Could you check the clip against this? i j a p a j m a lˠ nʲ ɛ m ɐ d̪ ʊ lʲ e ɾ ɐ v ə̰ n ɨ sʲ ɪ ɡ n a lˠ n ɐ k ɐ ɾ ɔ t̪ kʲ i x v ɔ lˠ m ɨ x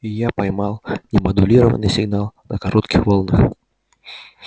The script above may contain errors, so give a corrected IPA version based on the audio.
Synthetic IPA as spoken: i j a p a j m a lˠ nʲ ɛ m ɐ d̪ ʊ lʲ i ɾ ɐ v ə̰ n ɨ sʲ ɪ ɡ n a lˠ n ɐ k a ɾ ɔ t̪ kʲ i x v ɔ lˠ n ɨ x